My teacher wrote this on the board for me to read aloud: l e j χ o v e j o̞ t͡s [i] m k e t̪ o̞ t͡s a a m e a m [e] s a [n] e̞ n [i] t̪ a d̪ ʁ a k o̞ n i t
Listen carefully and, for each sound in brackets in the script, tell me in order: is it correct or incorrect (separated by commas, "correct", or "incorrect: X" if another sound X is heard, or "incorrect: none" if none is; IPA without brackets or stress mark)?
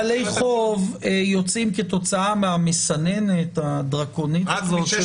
correct, correct, correct, incorrect: e